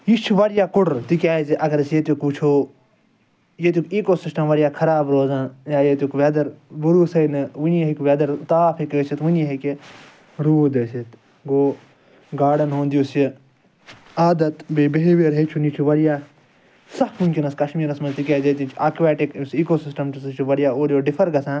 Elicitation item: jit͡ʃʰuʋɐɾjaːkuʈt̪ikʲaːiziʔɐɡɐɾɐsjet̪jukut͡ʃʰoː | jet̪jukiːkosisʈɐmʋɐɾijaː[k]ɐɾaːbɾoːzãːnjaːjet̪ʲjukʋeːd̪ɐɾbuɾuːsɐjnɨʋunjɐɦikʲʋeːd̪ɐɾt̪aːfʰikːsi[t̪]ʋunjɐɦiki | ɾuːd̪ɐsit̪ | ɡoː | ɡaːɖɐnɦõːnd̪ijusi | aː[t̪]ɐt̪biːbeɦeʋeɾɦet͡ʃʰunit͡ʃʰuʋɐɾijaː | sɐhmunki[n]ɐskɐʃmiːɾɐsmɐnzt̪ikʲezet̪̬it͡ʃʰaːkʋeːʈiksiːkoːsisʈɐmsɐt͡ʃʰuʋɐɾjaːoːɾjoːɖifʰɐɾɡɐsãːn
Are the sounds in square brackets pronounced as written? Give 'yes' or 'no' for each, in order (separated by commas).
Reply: no, yes, no, yes